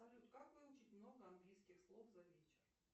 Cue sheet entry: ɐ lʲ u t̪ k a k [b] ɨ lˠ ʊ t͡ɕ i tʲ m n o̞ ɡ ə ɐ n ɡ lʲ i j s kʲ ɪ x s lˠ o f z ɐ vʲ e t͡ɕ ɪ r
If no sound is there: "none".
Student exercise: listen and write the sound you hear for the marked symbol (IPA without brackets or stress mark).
v